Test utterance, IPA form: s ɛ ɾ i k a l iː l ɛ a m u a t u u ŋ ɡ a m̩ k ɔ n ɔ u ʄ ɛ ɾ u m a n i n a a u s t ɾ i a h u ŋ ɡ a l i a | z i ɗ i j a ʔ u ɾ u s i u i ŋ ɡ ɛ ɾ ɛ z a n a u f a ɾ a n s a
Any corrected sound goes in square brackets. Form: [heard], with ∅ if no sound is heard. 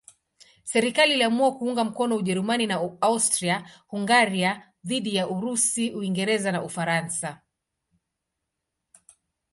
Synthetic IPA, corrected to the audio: s ɛ ɾ i k a l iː l [i] a m u a [k] u u ŋ ɡ a m̩ k ɔ n ɔ u ʄ ɛ ɾ u m a n i n a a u s t ɾ i a h u ŋ ɡ a [ɾ] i a | [ð] i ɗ i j a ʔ u ɾ u s i u i ŋ ɡ ɛ ɾ ɛ z a n a u f a ɾ a n s a